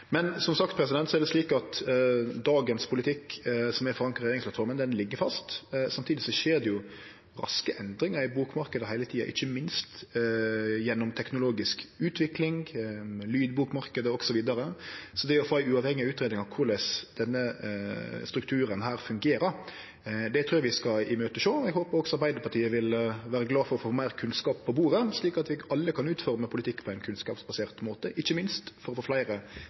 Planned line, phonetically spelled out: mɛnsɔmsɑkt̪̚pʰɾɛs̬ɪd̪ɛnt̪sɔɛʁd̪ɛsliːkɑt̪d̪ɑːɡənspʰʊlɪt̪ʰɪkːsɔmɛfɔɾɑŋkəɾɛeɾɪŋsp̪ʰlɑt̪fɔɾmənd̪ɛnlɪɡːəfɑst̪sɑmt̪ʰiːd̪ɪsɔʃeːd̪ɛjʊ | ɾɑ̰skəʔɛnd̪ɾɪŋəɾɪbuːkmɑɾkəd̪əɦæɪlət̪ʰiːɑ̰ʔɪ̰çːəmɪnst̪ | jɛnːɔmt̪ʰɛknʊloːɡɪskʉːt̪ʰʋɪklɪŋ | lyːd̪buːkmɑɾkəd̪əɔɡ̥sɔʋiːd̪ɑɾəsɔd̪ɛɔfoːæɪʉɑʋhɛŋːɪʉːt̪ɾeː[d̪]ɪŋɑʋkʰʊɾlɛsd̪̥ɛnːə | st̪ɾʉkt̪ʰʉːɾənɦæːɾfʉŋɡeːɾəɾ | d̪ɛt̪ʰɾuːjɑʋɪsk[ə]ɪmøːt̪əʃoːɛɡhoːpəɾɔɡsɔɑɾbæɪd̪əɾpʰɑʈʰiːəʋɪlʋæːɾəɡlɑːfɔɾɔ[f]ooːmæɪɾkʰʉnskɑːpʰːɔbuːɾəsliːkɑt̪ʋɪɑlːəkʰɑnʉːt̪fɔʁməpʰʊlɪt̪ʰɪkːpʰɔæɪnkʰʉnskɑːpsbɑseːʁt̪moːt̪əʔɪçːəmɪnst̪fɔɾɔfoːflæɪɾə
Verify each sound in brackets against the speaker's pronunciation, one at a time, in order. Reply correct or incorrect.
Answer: correct, incorrect: ɑ, correct

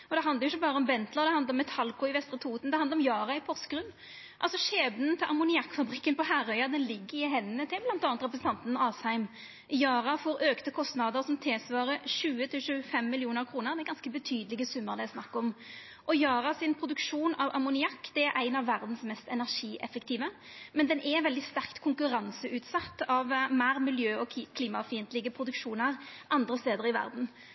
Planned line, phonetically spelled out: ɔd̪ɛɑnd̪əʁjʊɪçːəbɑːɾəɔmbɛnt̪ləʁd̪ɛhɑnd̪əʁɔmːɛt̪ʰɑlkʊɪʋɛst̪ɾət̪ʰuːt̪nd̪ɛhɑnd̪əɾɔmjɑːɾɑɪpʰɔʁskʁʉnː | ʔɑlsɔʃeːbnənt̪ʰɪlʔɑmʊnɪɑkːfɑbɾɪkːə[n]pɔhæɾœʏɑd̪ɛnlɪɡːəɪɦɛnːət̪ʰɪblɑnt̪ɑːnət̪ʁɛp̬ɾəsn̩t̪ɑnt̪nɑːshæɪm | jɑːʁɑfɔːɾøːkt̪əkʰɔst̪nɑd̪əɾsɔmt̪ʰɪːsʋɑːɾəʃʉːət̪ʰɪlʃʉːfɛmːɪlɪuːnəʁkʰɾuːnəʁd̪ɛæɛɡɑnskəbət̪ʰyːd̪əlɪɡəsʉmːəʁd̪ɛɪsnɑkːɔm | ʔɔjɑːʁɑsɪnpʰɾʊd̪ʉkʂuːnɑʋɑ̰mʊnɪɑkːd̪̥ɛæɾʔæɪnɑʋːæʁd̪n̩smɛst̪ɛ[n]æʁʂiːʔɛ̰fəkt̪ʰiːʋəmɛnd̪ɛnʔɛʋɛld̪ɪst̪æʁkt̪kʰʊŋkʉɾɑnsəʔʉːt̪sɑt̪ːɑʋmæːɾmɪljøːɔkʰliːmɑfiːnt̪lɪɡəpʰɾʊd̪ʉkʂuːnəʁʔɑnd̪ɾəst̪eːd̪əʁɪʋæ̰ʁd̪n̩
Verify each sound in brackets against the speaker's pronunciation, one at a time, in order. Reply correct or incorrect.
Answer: correct, correct

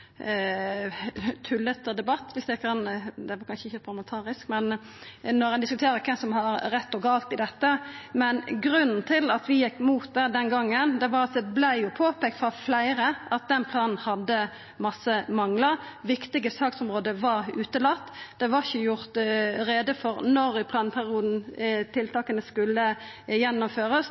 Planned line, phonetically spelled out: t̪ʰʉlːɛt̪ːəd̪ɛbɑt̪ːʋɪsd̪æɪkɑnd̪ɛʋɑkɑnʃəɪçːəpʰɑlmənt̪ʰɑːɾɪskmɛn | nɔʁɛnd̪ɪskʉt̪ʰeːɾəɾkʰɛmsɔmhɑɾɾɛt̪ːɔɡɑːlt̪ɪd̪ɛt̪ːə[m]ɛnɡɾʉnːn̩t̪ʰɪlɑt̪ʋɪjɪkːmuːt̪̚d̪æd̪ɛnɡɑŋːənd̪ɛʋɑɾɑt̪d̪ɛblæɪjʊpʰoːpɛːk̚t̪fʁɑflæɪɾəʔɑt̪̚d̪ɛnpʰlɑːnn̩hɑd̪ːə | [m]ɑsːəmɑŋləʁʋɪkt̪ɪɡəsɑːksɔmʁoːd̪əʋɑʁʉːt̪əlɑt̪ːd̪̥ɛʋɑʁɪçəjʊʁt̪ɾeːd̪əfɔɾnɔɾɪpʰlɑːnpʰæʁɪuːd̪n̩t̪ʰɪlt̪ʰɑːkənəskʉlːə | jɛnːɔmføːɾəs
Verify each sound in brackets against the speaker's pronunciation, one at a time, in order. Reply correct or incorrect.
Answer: correct, correct

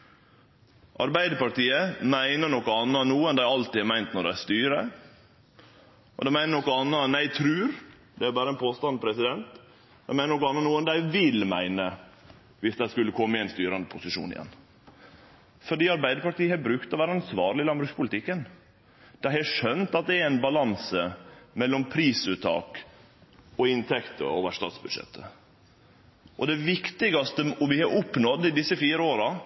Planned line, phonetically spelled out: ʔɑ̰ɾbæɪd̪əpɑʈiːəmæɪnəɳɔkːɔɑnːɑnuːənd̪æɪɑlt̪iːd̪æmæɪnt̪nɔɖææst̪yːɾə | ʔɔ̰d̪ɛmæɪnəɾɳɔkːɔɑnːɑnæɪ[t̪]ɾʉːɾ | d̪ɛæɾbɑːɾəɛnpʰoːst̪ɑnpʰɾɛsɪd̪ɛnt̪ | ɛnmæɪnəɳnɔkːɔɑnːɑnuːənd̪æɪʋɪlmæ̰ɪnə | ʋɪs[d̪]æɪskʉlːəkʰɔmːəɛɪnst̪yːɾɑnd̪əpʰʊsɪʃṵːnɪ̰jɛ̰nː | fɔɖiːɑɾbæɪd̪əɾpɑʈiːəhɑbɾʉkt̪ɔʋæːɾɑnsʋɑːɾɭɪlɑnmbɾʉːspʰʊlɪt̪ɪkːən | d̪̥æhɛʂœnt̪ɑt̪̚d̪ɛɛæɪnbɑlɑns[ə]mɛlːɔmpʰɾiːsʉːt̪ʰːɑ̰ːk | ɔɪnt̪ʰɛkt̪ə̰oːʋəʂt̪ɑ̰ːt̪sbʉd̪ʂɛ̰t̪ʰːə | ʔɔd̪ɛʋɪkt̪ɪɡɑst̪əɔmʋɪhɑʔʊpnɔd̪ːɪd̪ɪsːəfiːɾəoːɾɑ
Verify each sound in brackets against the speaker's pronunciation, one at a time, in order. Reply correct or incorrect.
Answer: incorrect: t̪ʰ, correct, correct

